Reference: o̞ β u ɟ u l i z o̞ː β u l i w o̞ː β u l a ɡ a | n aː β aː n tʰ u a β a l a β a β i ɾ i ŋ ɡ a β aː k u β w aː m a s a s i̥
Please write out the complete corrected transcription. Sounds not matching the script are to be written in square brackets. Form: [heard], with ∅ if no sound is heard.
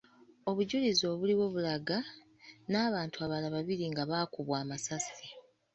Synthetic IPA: o̞ β u ɟ u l i z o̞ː β u l i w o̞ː β u l a ɡ a | n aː β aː n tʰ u a β a l a β a β i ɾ i ŋ ɡ a β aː k u β w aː m a s a s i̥